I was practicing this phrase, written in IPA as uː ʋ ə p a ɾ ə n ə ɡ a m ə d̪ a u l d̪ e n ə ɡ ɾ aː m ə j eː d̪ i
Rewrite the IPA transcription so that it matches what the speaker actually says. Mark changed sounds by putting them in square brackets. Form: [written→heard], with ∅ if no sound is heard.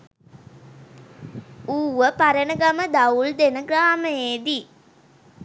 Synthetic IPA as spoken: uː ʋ ə p a ɾ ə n ə ɡ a m ə d̪ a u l d̪ e n ə ɡ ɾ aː m ə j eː d̪ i